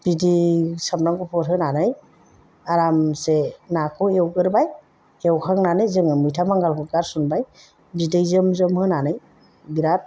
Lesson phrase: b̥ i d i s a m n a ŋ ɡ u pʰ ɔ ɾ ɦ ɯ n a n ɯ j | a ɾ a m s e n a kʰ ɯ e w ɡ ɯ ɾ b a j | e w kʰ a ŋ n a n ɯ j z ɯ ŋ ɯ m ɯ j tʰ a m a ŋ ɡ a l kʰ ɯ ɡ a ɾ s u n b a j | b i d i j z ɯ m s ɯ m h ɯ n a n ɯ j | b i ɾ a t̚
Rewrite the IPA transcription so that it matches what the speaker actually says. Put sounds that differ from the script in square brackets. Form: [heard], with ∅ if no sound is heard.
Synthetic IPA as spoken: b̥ i d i s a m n a ŋ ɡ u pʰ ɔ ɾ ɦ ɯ n a n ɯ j | a ɾ a m s e n a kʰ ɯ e w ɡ ɯ ɾ b a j | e w kʰ a ŋ n a n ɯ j z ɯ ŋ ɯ m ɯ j tʰ a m a ŋ ɡ a l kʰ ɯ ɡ a ɾ s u n b a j | b i d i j z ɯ m [z] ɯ m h ɯ n a n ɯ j | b i ɾ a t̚